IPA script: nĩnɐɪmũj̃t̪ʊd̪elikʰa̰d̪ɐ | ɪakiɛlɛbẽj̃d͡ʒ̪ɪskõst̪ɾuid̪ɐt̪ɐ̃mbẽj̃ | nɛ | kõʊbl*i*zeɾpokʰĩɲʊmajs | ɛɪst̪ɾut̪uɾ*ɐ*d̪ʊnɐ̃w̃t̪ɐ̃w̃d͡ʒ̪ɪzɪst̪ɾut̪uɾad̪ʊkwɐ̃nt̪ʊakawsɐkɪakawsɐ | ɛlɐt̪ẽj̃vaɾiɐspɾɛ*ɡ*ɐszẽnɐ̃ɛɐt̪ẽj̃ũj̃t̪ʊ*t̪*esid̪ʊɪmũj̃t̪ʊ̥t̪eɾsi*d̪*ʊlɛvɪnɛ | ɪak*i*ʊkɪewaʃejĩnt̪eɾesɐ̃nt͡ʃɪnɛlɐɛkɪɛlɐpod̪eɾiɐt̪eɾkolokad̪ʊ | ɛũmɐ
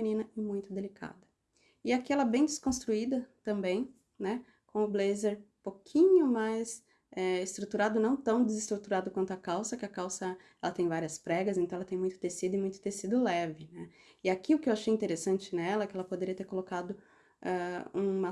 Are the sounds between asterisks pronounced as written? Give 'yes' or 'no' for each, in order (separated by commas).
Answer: no, no, yes, yes, yes, yes